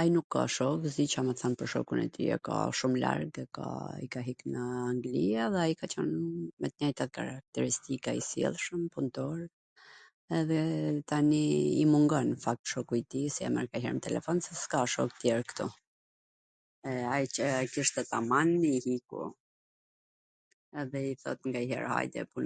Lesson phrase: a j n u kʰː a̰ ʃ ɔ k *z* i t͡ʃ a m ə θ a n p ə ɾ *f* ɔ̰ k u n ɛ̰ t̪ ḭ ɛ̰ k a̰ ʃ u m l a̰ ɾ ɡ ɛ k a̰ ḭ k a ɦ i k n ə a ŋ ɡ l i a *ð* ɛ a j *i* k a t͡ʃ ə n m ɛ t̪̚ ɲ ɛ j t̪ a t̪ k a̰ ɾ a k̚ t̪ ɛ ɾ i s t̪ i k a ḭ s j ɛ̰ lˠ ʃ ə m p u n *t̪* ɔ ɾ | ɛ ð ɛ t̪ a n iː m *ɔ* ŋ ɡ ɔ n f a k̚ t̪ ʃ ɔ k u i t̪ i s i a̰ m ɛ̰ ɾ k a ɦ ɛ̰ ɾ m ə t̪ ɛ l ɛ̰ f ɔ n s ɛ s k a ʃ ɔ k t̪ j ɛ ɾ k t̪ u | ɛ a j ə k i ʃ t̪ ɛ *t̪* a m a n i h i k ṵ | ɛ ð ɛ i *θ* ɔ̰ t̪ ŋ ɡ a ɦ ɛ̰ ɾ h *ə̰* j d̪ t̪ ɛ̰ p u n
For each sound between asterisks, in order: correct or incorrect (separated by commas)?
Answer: correct, incorrect, correct, correct, correct, incorrect, correct, correct, incorrect